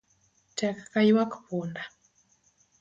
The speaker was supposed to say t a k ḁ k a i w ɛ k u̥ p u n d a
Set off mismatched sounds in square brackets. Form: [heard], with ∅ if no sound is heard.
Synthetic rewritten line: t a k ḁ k a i w [a] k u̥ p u n d a